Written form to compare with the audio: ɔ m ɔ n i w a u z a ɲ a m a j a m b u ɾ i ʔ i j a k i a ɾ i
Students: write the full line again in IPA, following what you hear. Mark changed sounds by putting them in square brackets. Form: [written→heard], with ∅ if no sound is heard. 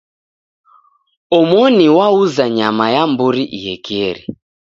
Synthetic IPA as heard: ɔ m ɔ n i w a u z a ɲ a m a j a m b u ɾ i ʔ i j [a→ɛ] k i [a→ɛ] ɾ i